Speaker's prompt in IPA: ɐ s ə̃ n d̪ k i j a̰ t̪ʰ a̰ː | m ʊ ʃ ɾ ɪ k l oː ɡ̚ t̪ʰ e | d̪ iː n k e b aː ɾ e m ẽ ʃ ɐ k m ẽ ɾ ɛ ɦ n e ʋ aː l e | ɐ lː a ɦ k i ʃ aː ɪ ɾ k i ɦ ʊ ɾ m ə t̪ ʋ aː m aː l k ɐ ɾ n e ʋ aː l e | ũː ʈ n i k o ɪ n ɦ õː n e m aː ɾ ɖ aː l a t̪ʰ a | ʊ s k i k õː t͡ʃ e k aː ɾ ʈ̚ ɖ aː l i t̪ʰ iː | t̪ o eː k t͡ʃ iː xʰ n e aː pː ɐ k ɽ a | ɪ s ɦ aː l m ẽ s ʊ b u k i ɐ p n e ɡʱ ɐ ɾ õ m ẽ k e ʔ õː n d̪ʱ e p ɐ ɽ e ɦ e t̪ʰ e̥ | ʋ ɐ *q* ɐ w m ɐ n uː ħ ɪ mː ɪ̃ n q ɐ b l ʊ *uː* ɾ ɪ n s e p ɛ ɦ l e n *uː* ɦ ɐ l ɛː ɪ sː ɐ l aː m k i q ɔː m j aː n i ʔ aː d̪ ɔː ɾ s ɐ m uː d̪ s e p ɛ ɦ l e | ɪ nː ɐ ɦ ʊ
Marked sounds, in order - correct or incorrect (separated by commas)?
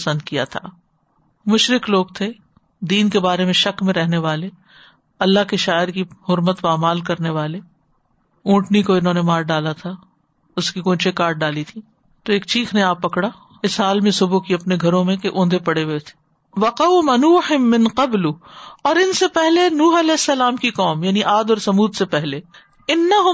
correct, incorrect, correct